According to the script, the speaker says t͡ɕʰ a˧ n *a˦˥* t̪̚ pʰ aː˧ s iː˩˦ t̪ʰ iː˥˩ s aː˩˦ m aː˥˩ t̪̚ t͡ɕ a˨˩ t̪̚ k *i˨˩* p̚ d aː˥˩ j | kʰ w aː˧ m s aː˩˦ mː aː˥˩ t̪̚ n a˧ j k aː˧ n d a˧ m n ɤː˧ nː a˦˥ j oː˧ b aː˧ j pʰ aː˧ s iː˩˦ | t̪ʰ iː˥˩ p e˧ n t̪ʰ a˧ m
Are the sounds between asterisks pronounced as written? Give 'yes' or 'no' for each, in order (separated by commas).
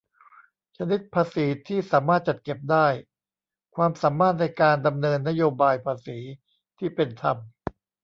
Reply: no, no